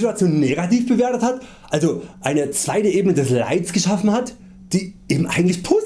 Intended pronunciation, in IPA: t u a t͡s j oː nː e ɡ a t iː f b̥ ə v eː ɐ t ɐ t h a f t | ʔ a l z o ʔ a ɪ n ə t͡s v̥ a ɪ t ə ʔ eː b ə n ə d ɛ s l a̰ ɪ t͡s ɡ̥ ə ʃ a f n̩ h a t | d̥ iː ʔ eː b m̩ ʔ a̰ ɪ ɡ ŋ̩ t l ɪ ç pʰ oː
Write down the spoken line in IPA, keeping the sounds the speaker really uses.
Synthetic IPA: t u a t͡s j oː nː e ɡ a t iː f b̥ ə v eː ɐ t ə t h a t | ʔ a l z o ʔ a ɪ n ə t͡s v̥ a ɪ t ə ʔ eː b ə n ə d ɛ s l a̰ ɪ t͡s ɡ̥ ə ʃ a f n̩ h a t | d̥ iː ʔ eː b m̩ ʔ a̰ ɪ ɡ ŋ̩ t l ɪ ç pʰ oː